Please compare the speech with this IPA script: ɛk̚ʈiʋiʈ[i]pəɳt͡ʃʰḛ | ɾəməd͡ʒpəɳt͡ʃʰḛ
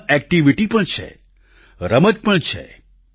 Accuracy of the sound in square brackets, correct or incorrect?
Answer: correct